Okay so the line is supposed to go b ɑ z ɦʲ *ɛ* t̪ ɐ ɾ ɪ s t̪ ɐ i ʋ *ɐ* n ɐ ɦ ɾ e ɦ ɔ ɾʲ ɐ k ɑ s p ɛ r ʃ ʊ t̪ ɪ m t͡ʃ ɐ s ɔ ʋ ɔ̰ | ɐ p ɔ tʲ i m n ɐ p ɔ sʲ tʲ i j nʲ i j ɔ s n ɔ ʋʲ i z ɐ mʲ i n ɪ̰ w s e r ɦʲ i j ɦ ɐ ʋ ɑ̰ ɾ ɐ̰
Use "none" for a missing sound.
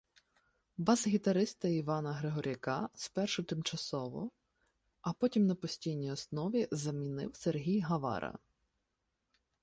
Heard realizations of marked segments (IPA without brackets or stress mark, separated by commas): i, ɑ